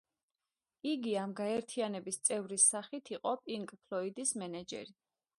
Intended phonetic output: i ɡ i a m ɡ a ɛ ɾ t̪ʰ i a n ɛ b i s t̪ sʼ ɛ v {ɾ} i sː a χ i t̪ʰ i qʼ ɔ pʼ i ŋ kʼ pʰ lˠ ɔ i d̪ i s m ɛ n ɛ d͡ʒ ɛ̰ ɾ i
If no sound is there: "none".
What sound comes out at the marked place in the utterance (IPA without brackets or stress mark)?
ɾ